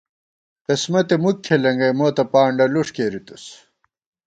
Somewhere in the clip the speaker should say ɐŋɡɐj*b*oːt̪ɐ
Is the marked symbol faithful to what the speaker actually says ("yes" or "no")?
no